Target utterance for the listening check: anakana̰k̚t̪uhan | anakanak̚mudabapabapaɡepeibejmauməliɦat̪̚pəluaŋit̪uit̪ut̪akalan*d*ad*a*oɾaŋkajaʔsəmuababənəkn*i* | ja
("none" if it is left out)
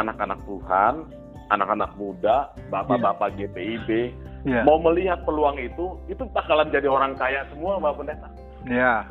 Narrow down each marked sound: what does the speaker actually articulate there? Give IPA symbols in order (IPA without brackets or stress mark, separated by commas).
d͡ʒ, i, a